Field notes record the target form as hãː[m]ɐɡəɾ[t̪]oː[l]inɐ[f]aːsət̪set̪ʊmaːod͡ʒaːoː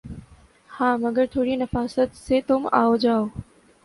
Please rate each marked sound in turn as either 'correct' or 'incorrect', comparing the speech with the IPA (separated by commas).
correct, incorrect, incorrect, correct